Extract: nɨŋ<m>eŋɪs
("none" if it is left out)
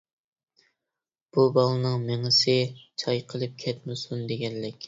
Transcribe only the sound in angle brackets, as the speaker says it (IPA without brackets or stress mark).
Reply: m